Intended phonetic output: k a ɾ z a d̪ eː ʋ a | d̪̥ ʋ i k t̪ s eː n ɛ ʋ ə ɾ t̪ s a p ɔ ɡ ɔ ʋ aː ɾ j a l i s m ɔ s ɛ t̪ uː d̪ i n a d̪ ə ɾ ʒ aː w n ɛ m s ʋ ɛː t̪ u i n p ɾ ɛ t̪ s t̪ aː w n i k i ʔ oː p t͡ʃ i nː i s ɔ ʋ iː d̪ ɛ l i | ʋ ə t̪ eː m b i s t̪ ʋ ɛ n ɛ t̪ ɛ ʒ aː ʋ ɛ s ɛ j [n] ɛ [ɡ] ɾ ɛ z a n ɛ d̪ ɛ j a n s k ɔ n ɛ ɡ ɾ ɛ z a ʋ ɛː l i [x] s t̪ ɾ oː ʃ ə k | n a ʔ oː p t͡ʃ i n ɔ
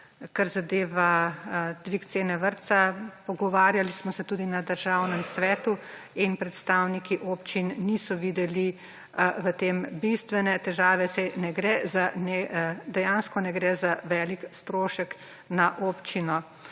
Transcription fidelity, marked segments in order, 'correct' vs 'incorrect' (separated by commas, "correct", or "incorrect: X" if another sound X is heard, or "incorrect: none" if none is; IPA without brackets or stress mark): correct, correct, incorrect: k